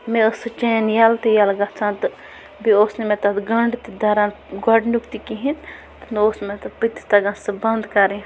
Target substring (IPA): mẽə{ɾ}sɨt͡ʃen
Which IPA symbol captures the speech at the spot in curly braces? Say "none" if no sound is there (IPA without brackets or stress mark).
none